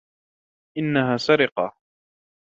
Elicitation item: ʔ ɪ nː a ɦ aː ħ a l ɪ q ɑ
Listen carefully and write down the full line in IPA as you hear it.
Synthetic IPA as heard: ʔ ɪ nː a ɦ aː s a ɾ ɪ q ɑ